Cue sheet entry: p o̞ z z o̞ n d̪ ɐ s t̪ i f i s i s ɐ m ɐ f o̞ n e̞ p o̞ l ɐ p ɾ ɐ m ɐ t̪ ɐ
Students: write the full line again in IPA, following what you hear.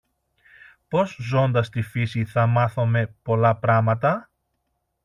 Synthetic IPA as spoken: p o̞ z z o̞ n d̪ ɐ s t̪ i f i s i θ ɐ m ɐ θ o̞ m e̞ p o̞ l ɐ p ɾ ɐ m ɐ t̪ ɐ